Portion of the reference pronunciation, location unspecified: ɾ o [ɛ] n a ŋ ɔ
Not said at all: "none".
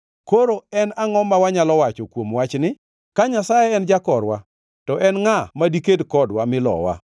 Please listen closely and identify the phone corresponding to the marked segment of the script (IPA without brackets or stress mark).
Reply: ɛ